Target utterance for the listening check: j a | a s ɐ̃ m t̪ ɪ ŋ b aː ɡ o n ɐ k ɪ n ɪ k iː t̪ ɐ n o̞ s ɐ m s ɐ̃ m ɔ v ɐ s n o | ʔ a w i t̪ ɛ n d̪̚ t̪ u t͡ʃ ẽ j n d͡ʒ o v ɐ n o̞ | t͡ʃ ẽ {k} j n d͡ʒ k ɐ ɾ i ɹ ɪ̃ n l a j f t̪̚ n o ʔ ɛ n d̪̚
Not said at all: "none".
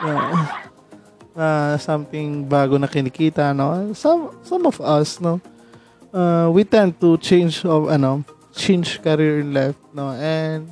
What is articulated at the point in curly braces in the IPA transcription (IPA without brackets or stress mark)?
none